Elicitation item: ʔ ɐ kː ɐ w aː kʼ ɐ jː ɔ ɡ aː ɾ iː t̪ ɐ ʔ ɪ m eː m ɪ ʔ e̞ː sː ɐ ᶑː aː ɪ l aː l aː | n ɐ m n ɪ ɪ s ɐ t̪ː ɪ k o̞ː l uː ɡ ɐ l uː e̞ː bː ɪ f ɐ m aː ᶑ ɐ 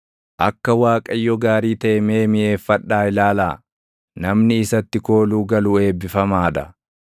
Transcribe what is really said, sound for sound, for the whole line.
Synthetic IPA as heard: ʔ ɐ kː ɐ w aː kʼ ɐ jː ɔ ɡ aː ɾ iː t̪ ɐ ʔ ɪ m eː m ɪ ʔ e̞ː fː ɐ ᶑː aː ɪ l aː l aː | n ɐ m n ɪ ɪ s ɐ t̪ː ɪ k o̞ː l uː ɡ ɐ l uː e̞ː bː ɪ f ɐ m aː ᶑ ɐ